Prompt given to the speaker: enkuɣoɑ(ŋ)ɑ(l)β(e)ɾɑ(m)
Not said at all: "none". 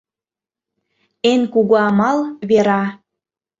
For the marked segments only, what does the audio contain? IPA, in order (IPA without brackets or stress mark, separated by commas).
m, l, e, none